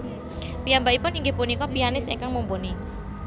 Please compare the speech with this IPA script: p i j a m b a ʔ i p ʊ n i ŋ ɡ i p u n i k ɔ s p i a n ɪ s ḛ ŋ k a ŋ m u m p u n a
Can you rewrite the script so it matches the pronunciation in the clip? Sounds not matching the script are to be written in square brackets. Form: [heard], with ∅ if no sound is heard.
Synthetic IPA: p i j a m b a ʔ i p ʊ n i ŋ ɡ [e] p u n i k ɔ [∅] p i a n ɪ s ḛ ŋ k a ŋ m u m p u n [i]